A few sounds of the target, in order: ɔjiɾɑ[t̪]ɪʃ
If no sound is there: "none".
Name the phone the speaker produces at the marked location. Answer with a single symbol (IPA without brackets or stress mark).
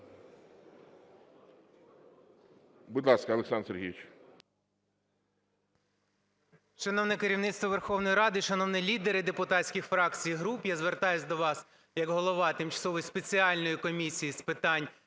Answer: d̪